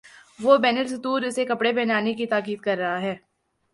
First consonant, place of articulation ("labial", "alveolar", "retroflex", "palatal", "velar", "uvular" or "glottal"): labial